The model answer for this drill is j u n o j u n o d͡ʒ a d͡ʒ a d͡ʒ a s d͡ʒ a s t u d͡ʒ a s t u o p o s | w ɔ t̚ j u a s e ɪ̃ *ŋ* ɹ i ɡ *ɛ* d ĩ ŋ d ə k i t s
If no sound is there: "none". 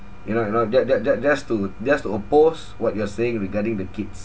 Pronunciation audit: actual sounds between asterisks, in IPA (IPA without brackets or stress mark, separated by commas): ŋ, a